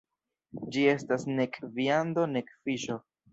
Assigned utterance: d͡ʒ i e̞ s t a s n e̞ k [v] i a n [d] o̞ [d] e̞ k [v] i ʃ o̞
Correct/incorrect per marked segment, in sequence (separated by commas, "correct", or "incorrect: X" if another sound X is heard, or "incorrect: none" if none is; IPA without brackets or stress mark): correct, correct, incorrect: n, incorrect: f